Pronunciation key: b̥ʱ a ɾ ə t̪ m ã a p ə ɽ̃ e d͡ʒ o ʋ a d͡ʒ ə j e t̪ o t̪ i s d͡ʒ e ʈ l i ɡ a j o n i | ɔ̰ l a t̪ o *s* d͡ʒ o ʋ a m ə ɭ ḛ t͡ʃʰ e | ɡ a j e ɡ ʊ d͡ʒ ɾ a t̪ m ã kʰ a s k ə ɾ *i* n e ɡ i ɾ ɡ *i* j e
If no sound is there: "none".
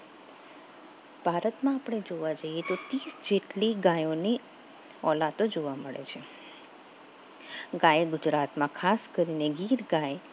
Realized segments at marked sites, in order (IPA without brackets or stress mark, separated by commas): none, i, a